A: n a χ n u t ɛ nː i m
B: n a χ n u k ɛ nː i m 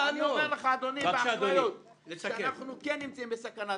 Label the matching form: B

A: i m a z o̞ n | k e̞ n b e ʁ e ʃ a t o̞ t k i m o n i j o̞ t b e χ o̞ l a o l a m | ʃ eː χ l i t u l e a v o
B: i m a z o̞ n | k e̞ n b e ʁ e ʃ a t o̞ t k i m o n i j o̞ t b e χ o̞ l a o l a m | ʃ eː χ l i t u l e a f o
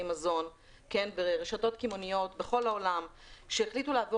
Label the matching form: A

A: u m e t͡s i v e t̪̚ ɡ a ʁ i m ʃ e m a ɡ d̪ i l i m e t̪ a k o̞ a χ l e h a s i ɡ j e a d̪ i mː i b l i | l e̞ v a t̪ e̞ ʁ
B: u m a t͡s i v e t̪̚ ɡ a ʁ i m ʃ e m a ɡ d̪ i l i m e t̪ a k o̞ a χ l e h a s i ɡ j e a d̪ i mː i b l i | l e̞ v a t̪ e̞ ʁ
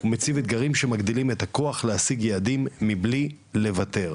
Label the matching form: A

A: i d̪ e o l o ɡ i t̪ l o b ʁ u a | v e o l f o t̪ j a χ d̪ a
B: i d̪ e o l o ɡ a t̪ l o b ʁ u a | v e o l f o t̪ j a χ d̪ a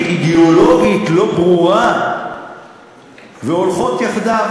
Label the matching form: A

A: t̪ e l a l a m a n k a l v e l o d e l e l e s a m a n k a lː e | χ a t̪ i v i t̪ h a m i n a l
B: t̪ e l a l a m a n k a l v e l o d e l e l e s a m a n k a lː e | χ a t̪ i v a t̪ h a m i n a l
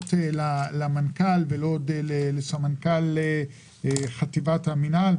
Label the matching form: B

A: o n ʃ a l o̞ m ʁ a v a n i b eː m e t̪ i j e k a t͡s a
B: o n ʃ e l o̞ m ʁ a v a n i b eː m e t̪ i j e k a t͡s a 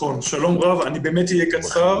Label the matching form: A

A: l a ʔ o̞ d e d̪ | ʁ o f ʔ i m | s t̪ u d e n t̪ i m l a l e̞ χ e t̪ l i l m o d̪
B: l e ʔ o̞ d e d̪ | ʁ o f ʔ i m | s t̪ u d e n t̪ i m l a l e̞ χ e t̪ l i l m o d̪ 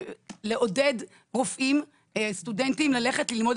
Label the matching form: B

